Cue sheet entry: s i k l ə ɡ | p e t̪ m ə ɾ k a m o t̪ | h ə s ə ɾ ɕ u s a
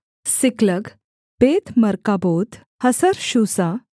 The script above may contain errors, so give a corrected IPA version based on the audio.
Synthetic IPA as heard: s i k l ə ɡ | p e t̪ m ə ɾ k a b o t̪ | h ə s ə ɾ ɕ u s a